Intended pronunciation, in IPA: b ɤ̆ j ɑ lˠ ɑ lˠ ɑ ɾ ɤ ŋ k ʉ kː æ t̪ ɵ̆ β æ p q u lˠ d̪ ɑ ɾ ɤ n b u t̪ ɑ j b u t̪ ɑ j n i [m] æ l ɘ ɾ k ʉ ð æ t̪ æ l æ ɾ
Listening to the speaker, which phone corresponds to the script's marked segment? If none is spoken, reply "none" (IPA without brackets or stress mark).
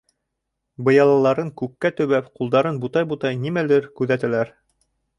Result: m